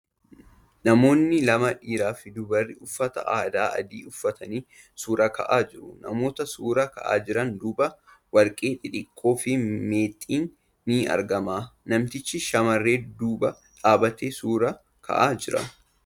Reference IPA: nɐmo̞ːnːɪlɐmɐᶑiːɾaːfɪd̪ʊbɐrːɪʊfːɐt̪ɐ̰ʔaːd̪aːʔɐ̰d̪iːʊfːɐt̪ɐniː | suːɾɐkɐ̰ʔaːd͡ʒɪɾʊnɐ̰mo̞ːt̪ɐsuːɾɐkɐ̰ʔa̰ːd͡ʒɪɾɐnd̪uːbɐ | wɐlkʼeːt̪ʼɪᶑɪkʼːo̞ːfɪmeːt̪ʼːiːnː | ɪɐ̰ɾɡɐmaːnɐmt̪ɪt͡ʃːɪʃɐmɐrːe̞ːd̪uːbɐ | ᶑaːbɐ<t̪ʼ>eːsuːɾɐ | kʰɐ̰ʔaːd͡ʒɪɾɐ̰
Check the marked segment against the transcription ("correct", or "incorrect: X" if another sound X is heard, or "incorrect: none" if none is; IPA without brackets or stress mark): incorrect: t̪